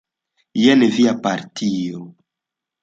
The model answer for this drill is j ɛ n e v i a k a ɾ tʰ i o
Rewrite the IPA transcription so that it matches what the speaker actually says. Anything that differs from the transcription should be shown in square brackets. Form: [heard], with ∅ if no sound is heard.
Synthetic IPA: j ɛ n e v i a [p] a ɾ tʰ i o